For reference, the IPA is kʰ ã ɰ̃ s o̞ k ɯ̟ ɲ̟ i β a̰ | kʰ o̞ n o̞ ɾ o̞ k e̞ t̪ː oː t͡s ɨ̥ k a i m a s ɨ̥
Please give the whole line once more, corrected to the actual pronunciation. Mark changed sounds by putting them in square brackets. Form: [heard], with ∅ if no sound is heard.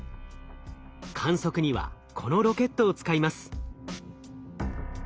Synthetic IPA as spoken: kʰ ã ɰ̃ s o̞ k ɯ̟ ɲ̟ i β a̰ | kʰ o̞ n o̞ ɾ o̞ k e̞ t̪ː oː t͡s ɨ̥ k a i m a s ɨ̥